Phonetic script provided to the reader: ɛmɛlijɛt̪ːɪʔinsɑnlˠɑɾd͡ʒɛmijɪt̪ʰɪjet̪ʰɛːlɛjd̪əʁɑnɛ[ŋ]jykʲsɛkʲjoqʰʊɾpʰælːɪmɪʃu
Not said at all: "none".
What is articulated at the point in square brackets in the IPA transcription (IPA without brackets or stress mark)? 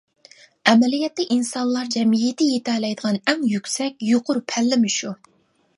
ŋ